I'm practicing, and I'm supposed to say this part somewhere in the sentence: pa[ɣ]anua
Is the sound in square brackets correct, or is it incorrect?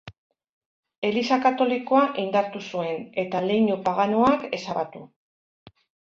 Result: correct